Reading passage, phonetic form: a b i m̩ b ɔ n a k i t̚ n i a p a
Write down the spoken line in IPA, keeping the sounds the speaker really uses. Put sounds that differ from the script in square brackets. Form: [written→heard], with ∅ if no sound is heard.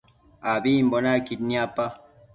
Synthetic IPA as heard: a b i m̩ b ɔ n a k i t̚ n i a p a